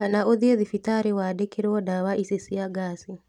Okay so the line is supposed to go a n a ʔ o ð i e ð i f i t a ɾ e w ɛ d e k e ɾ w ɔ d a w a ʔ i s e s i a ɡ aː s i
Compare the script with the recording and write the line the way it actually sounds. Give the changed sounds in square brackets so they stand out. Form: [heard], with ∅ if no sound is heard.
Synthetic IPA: a n a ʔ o ð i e ð i f i t a ɾ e w [a] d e k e ɾ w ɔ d a w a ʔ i s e s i a ɡ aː s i